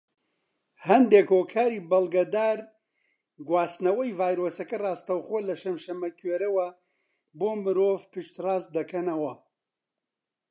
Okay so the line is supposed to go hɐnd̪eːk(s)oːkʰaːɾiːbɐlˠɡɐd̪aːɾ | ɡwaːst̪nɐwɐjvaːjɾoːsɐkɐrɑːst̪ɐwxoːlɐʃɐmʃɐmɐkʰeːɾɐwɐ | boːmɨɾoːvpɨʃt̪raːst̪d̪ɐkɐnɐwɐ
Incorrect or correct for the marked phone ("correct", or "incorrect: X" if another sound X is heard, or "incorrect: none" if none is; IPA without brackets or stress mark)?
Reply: incorrect: h